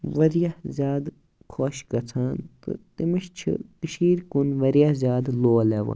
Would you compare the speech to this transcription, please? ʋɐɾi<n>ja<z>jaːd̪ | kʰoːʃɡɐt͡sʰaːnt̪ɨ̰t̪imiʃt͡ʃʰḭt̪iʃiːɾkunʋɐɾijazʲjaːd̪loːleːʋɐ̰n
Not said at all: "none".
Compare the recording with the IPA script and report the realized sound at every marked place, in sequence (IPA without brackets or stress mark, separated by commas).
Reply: none, z